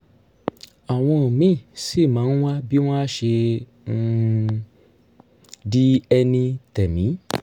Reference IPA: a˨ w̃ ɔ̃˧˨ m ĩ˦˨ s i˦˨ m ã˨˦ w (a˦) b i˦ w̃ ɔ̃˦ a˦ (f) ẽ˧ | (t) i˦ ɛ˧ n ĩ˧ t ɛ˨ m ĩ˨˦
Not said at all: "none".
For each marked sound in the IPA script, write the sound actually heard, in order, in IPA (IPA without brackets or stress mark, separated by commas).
a˦, ʃ, d